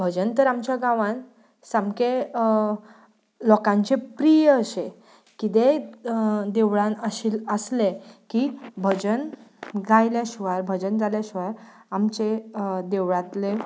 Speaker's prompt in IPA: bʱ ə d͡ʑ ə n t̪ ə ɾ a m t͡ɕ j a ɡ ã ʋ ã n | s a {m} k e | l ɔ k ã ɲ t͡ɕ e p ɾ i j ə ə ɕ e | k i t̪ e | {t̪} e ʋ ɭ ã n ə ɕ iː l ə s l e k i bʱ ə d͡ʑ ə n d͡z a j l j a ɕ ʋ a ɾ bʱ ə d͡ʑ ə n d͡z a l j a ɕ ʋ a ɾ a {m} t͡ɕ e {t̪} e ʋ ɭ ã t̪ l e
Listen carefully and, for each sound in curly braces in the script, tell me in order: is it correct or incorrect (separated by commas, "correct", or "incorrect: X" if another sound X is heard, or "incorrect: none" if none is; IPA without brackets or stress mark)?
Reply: correct, incorrect: d̪, correct, incorrect: d̪